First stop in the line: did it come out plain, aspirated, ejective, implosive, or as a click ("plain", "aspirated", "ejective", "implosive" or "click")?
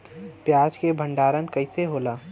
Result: plain